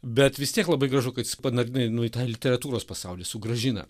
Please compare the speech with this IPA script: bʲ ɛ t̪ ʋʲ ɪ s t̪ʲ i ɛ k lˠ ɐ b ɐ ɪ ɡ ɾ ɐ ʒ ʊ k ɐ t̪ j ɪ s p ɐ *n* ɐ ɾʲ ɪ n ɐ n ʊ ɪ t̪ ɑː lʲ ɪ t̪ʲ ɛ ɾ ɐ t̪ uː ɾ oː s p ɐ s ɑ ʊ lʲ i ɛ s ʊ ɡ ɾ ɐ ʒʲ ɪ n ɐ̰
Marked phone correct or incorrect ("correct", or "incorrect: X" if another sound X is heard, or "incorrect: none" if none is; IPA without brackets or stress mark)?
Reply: correct